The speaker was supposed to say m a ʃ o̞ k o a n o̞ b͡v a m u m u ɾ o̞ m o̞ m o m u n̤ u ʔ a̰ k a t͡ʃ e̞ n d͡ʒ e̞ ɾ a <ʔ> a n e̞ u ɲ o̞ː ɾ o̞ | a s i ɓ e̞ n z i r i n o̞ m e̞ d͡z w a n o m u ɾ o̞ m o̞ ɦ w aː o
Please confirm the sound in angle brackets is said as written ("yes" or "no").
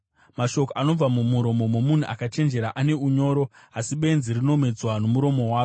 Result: yes